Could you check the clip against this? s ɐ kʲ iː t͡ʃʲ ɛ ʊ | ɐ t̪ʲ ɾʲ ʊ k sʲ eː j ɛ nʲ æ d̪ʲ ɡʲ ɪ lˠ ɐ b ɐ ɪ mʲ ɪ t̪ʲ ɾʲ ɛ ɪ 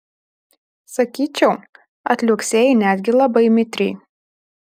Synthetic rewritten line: s ɐ kʲ iː t͡ʃʲ ɛ ʊ | ɐ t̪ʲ lʲ ʊ k sʲ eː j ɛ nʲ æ d̪ʲ ɡʲ ɪ lˠ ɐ b ɐ ɪ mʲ ɪ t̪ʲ ɾʲ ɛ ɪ